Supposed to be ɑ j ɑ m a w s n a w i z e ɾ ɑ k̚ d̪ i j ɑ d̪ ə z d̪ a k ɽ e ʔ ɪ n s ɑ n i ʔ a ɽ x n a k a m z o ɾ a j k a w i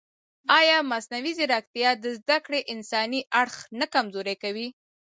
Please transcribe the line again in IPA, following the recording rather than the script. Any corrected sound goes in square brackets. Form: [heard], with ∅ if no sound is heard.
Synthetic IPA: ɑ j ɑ m a [∅] s n a w i z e ɾ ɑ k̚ [t̪] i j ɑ d̪ ə z d̪ a k ɽ e ʔ ɪ n s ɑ n i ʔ a ɽ x n a k a m z o ɾ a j k a w i